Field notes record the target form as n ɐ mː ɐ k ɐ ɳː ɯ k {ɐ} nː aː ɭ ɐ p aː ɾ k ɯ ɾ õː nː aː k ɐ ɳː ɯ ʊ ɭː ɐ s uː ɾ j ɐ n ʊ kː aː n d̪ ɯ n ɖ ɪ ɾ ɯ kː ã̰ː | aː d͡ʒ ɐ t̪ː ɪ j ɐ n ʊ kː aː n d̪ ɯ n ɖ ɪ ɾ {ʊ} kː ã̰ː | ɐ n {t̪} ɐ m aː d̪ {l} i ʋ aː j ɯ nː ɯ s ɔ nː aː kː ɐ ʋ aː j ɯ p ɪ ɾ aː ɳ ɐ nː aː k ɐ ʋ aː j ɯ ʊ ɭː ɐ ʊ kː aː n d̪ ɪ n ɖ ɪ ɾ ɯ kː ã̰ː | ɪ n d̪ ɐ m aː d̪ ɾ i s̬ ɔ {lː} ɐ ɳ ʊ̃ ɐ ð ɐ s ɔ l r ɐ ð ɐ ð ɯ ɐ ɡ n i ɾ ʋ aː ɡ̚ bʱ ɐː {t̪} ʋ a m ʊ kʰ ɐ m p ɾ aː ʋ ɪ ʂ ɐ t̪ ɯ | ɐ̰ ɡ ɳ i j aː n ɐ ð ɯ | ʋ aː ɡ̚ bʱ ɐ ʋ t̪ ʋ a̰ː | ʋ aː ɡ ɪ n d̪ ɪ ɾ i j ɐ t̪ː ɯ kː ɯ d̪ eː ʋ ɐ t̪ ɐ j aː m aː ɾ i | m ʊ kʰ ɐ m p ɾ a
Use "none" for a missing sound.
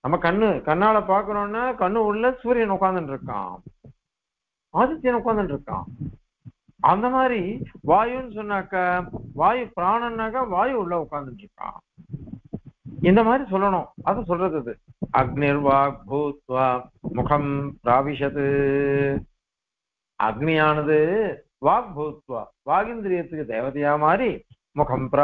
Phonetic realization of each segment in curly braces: ɐ, ɯ, d̪, ɾ, lː, t̪

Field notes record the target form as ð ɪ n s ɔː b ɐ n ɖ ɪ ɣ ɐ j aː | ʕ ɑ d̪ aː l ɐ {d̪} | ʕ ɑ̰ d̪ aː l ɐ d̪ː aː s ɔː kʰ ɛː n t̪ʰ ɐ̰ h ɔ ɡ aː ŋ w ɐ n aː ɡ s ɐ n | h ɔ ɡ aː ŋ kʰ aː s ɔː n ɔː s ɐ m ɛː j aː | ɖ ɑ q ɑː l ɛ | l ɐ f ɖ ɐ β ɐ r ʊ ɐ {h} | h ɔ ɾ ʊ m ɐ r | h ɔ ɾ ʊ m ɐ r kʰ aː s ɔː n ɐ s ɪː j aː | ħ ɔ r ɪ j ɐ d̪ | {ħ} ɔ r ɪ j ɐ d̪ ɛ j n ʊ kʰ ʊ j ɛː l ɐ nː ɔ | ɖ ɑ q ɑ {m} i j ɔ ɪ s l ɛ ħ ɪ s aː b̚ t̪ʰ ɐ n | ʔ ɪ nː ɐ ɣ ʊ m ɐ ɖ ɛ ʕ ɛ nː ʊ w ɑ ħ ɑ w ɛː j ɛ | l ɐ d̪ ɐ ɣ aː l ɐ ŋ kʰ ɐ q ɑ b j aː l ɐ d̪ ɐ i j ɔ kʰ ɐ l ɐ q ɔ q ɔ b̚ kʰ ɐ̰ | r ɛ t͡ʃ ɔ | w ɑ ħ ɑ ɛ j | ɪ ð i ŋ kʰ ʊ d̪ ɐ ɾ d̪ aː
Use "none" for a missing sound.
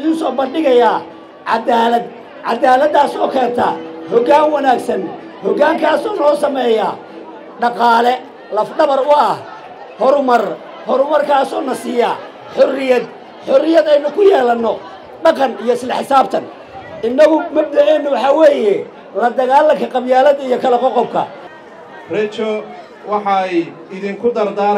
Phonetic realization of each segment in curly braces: d̪, h, ħ, n

